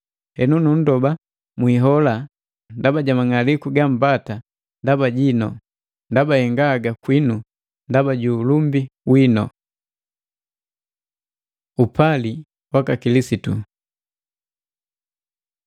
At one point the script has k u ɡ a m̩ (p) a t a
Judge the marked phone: incorrect: b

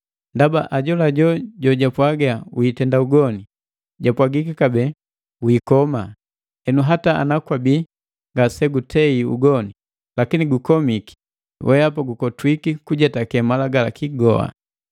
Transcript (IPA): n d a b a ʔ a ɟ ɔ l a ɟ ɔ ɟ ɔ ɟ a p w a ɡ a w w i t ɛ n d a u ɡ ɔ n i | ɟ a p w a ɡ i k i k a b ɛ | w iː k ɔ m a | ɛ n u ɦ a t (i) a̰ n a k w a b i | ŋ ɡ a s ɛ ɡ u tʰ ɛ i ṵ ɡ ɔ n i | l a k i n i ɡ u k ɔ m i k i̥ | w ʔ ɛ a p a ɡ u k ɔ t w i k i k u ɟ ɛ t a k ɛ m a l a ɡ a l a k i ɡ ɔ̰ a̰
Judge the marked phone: incorrect: a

